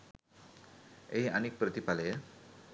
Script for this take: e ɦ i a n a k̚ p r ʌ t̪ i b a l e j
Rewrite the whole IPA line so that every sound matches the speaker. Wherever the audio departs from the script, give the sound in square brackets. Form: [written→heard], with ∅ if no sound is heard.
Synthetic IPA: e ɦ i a n [a→i] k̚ p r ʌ t̪ i [b→p] a l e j